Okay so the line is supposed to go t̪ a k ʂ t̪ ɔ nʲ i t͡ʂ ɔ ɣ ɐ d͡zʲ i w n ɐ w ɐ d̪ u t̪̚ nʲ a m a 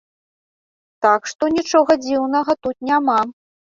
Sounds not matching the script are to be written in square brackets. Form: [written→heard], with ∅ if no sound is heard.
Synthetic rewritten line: t̪ a k ʂ t̪ ɔ nʲ i t͡ʂ ɔ ɣ ɐ d͡zʲ i w n ɐ [w→ɣ] ɐ [d̪→t̪] u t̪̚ nʲ a m a